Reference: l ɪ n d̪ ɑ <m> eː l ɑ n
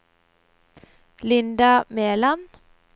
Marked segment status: correct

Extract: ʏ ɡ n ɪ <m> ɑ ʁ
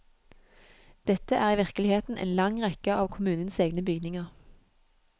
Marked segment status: incorrect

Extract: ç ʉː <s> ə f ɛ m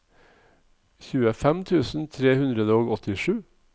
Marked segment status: incorrect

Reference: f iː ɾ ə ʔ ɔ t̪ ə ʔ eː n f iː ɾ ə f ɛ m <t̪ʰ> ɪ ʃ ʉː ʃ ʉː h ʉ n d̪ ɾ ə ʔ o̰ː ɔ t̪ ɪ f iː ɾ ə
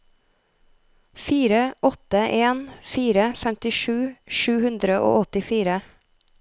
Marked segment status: incorrect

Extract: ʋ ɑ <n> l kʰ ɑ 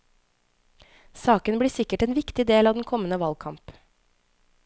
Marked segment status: incorrect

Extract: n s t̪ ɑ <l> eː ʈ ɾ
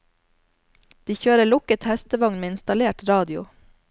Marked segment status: correct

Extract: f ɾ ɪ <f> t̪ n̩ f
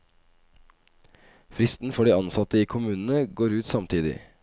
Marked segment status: incorrect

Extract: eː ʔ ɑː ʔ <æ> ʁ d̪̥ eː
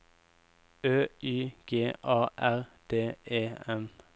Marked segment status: correct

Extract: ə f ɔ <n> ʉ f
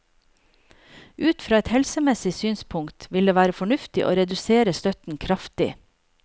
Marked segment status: incorrect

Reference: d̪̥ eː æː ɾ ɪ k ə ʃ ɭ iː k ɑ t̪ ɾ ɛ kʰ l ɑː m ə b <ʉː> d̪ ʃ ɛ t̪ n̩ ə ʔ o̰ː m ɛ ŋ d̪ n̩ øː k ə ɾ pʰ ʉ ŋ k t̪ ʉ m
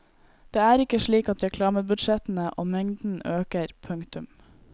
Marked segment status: incorrect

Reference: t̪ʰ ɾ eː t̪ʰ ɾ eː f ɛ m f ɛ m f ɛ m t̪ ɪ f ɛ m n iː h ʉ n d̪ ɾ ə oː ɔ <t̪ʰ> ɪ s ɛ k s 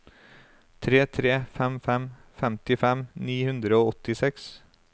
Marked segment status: incorrect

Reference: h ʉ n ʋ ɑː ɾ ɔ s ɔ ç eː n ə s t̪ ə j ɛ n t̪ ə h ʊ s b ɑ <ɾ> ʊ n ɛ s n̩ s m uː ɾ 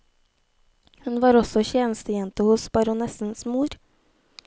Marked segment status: correct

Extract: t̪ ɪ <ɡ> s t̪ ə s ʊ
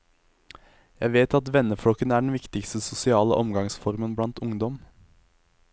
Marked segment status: incorrect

